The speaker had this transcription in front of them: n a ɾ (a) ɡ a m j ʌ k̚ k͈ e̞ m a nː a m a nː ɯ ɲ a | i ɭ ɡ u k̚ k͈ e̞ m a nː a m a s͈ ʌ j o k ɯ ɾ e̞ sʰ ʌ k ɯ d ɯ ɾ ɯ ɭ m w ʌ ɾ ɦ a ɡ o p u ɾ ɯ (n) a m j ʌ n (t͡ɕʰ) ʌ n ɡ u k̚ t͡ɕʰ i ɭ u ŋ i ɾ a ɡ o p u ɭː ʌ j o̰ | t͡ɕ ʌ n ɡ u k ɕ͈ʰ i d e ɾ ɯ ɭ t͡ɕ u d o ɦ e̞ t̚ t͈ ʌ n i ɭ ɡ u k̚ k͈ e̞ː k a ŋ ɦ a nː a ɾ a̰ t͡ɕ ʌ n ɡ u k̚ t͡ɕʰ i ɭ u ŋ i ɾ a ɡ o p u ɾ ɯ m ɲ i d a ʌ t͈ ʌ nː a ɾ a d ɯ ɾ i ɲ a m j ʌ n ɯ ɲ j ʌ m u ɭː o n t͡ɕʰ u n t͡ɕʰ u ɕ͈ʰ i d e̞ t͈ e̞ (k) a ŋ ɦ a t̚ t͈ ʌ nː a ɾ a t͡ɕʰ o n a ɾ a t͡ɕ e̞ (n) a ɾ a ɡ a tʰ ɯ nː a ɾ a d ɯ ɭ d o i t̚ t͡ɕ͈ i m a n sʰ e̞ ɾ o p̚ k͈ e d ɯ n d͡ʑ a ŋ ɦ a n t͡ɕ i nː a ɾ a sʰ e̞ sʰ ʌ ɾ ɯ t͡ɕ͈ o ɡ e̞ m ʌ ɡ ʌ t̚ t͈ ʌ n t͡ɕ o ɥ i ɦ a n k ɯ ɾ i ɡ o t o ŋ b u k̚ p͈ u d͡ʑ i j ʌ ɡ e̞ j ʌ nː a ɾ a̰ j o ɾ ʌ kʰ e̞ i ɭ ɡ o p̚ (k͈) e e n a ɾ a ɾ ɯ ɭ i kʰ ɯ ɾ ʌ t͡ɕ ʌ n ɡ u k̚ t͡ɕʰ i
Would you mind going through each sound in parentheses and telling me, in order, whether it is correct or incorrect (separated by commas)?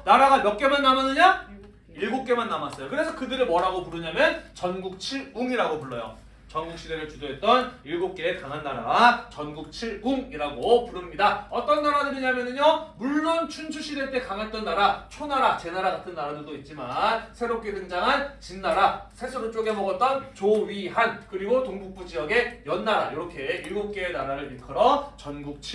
correct, incorrect, incorrect, correct, correct, correct